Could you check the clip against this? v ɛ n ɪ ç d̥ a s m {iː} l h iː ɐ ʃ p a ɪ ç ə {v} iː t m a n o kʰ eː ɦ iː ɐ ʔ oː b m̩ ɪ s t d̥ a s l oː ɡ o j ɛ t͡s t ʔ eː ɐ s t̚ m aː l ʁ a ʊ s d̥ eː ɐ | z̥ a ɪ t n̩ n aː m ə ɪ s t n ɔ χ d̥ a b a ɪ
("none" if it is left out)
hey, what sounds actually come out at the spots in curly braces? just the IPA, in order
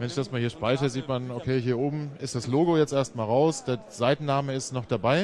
aː, z

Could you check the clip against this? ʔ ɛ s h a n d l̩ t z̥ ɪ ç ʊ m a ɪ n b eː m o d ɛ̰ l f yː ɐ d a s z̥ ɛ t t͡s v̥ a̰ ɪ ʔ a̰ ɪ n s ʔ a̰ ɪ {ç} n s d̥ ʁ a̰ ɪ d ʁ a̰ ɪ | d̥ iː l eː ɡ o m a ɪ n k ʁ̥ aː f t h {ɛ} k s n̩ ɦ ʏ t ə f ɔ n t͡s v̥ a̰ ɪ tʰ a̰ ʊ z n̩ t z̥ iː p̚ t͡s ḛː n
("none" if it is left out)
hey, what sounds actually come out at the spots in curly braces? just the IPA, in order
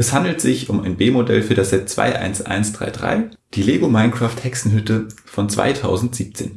none, ɛ

